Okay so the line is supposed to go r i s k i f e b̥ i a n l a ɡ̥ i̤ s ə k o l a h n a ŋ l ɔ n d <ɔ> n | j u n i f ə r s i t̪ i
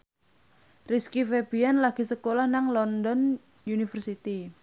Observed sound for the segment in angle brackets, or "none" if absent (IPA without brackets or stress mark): ɔ